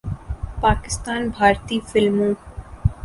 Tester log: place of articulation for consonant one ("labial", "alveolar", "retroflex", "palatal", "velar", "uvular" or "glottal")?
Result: labial